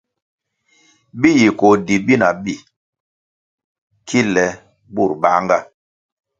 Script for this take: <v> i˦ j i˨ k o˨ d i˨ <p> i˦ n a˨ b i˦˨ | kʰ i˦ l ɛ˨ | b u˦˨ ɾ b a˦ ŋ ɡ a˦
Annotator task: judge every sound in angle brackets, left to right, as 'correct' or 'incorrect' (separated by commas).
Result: incorrect, incorrect